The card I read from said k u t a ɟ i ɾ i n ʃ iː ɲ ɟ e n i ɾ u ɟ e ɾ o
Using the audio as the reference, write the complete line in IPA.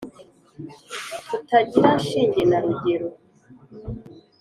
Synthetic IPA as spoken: t u t a ɟ i ɾ a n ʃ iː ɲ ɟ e n a ɾ u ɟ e ɾ o